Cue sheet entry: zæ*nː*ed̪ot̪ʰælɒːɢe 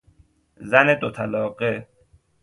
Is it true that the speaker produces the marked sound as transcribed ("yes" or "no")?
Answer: no